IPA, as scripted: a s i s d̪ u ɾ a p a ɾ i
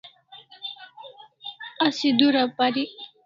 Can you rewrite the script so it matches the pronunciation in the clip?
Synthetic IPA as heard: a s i d̪ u ɾ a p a ɾ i